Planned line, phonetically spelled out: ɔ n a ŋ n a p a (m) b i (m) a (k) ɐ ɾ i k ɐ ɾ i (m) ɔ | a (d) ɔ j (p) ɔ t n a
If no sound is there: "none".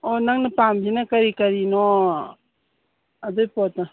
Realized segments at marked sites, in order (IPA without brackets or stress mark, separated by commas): m, n, k, n, d, p